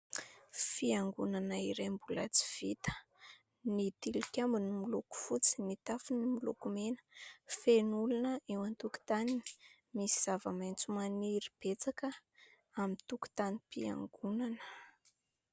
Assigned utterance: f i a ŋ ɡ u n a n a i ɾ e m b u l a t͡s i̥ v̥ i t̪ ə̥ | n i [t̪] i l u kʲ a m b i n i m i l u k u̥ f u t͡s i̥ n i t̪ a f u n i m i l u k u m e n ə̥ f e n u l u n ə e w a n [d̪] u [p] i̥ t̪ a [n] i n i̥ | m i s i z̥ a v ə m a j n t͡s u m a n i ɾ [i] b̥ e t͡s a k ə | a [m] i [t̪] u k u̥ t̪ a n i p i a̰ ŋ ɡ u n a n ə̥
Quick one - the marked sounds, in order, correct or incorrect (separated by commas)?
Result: correct, incorrect, incorrect, correct, correct, correct, correct